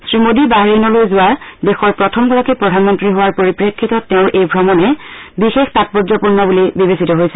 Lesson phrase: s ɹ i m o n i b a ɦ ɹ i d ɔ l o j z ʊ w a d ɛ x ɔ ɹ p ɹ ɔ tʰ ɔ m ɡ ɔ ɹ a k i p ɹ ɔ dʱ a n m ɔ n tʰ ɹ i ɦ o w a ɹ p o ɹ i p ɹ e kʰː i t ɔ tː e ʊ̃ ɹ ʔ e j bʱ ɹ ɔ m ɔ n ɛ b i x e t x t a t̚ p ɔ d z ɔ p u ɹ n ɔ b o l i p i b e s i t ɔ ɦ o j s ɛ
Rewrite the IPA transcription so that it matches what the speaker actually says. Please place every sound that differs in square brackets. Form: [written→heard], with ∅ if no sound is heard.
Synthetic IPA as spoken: s ɹ i m o [n→d] i b a ɦ ɹ i [d→n] ɔ l o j z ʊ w a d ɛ x ɔ ɹ p ɹ ɔ tʰ ɔ m ɡ ɔ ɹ a k i p ɹ ɔ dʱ a n m ɔ n [tʰ→t] ɹ i ɦ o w a ɹ p o ɹ i p ɹ e kʰː i t ɔ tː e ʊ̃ ɹ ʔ e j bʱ ɹ ɔ m ɔ n ɛ b i x e [t→∅] x t a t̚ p ɔ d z ɔ p u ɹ n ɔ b [o→u] l i [p→b] i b e s i t ɔ ɦ o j s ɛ

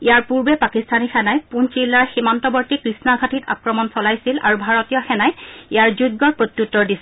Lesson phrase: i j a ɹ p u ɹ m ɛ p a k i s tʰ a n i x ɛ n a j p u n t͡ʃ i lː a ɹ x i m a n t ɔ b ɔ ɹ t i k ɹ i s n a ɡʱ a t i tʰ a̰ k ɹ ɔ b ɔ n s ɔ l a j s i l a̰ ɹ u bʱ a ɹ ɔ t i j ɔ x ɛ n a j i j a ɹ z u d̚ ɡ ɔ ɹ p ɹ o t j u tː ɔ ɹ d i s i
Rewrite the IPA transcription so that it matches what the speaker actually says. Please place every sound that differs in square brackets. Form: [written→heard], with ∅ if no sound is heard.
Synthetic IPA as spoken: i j a ɹ p u ɹ [m→b] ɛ p a k i s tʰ a n i x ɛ n a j p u n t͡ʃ i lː a ɹ x i m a n t ɔ b ɔ ɹ t i k ɹ i s n a ɡʱ a t i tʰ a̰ k ɹ ɔ [b→m] ɔ n s ɔ l a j s i l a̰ ɹ u bʱ a ɹ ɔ t i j ɔ x ɛ n a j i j a ɹ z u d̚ ɡ ɔ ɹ p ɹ o t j u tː ɔ ɹ d i s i

